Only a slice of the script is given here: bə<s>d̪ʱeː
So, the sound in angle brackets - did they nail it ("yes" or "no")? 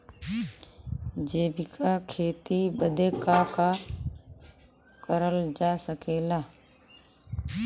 no